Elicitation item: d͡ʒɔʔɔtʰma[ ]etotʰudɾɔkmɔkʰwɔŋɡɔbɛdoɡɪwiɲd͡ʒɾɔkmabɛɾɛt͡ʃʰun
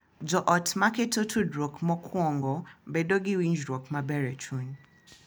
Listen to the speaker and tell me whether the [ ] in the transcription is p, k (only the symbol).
k